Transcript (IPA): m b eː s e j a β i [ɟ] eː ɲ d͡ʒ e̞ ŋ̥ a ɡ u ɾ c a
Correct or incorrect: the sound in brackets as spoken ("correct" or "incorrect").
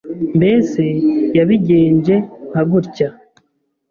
correct